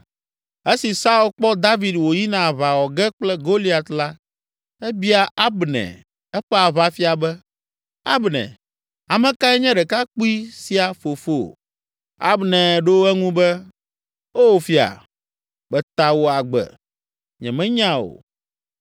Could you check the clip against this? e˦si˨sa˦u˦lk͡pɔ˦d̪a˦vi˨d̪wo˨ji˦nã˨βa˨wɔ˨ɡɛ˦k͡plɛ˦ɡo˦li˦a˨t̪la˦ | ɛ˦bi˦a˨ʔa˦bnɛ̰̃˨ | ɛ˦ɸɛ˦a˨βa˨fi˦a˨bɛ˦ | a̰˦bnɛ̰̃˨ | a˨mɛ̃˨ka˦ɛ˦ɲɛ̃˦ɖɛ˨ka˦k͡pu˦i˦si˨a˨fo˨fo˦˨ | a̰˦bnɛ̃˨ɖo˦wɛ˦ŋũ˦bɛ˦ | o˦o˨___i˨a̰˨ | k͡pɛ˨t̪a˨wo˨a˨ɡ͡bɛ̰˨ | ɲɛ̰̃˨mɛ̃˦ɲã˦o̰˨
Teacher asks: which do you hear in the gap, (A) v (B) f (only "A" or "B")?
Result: B